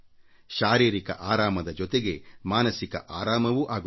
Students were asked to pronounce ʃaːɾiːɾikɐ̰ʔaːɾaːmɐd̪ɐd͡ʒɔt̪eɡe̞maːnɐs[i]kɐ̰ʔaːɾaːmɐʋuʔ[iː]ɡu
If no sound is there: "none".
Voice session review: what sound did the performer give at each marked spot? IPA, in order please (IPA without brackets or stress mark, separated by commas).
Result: i, aː